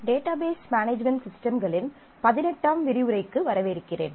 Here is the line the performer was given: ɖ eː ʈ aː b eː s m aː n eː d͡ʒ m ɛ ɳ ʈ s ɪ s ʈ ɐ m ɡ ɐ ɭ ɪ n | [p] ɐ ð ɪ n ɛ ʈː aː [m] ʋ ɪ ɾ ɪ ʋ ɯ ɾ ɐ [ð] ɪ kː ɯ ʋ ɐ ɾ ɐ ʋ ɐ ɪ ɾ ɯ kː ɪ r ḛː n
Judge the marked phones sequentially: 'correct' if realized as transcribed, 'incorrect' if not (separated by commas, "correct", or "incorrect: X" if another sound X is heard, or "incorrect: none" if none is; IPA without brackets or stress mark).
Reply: correct, correct, incorrect: none